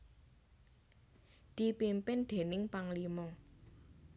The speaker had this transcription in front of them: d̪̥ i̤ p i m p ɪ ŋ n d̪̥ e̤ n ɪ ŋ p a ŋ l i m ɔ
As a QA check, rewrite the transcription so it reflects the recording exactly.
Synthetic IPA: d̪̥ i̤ p i m p ɪ n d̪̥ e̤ n ɪ ŋ p a ŋ l i m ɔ